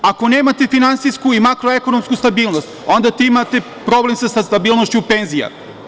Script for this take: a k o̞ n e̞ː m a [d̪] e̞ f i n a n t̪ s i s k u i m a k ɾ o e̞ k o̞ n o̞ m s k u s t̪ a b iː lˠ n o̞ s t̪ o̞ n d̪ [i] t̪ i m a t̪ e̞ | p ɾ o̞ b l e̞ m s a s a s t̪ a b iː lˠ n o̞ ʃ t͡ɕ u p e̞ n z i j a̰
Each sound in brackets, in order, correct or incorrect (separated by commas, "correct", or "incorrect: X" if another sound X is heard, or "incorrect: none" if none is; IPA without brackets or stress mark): incorrect: t̪, incorrect: a